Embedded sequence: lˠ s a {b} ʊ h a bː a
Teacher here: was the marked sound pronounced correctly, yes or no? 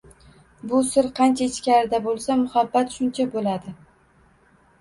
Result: no